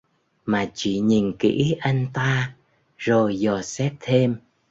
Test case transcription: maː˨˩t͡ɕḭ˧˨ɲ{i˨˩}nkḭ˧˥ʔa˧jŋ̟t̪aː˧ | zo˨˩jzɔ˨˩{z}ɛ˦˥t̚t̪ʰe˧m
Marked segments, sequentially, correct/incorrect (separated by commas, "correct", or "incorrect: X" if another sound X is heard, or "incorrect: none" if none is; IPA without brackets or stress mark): correct, incorrect: s